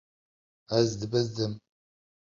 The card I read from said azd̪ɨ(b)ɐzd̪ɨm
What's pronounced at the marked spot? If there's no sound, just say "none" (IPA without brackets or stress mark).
b